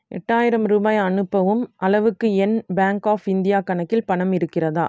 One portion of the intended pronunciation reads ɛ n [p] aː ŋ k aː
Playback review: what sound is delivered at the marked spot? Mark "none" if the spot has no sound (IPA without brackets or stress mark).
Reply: b